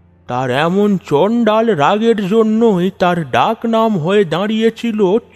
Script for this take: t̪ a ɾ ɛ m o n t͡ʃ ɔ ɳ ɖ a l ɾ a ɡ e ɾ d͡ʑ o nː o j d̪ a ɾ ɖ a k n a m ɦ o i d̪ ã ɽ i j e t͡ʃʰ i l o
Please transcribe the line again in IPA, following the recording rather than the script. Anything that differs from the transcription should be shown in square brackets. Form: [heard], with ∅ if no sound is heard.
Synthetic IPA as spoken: t̪ a ɾ ɛ m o n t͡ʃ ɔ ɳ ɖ a l ɾ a ɡ e ɾ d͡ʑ o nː o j [t̪] a ɾ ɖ a k n a m ɦ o [e] d̪ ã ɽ i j e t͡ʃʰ i l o